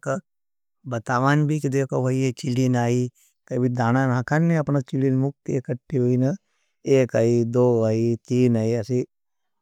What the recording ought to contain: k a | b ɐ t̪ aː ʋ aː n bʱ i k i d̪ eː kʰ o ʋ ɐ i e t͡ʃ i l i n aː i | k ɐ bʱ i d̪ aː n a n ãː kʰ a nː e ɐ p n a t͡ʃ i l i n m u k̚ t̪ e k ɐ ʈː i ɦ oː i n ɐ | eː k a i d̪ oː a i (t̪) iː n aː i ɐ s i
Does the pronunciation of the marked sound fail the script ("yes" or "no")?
no